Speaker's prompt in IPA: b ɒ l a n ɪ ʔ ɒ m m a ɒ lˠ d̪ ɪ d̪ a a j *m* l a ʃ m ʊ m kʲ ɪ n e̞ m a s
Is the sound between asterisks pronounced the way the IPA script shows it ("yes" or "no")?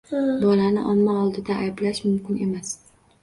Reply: no